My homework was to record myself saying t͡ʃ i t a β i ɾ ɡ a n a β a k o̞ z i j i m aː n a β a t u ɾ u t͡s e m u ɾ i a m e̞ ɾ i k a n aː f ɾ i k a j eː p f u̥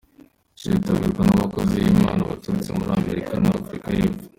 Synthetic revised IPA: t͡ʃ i t a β i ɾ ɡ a n a β a k o̞ z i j i m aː n a β a t u ɾ u t͡s e m u ɾ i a m e̞ ɾ i k a n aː f ɾ i k a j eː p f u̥

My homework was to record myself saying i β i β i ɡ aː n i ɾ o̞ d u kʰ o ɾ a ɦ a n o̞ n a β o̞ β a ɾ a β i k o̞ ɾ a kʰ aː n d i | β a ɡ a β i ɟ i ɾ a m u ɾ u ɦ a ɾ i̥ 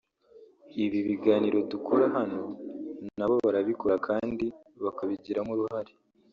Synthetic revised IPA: i β i β i ɡ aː n i ɾ o̞ d u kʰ o ɾ a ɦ a n o̞ n a β o̞ β a ɾ a β i k o̞ ɾ a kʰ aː n d i | β a k a β i ɟ i ɾ a m u ɾ u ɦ a ɾ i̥

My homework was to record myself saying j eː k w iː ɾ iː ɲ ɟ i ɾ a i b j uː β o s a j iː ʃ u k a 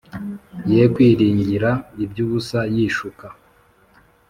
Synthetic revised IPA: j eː k w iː ɾ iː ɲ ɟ i ɾ a i b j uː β u s a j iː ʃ u k a

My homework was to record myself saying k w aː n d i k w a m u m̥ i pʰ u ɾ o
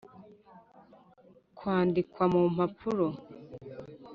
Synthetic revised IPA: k w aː n d i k w a m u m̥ a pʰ u ɾ o

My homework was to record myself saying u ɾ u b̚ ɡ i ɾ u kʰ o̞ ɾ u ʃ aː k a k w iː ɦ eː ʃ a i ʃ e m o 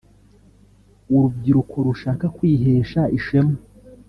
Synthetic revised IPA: u ɾ u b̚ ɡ i ɾ u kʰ o̞ ɾ u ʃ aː k a k w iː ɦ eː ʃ a i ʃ e m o

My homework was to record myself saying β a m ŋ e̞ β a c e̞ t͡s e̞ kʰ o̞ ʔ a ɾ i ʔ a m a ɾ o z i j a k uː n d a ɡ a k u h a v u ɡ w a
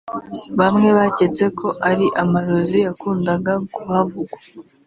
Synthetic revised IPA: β a m ŋ e̞ β a c e̞ t͡s e̞ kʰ o̞ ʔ a ɾ i ʔ a m a ɾ o z i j a k uː n d a ɡ a k u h a v u ɡ w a

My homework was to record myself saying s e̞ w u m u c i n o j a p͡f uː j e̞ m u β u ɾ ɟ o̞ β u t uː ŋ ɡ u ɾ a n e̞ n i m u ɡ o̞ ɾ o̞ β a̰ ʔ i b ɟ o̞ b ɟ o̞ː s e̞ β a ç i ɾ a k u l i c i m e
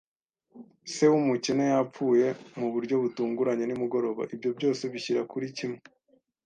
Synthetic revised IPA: s e̞ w u m u c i n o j a p͡f uː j e̞ m u β u ɾ ɟ o̞ β u t uː ŋ ɡ u ɾ a ɲ e̞ n i m u ɡ o̞ ɾ o̞ β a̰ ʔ i b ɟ o̞ b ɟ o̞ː s e̞ β i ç i ɾ a k u ɾ i c i m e

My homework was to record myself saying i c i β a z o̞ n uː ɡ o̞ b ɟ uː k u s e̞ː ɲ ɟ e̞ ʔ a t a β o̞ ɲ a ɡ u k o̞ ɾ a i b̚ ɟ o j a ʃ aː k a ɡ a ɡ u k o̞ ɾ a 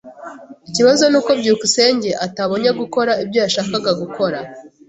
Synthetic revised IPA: i c i β a z o̞ n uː k o̞ b ɟ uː k u s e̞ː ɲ ɟ e̞ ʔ a t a β o̞ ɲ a ɡ u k o̞ ɾ a i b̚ ɟ o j a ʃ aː k a ɡ a ɡ u k o̞ ɾ a

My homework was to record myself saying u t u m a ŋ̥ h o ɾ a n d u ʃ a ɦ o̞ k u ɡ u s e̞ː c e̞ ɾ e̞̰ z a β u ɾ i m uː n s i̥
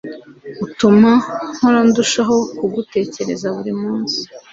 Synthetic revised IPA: u t u m a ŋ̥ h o ɾ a n d u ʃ a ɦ o̞ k u ɡ u t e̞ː c e̞ ɾ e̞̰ z a β u ɾ i m uː n s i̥

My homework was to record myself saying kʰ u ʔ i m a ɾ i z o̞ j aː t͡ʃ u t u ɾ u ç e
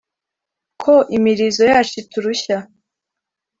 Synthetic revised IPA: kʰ o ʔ i m i ɾ i z o̞ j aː t͡ʃ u t u ɾ u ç a

